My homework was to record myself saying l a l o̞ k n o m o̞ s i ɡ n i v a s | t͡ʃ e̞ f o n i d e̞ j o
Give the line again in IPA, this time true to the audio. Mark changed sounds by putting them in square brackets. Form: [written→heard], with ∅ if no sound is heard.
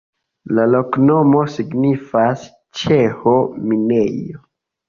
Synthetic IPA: l a l o̞ k n o m o̞ s i ɡ n i [v→f] a s | t͡ʃ e̞ [f→h] o [n→m] i [d→n] e̞ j o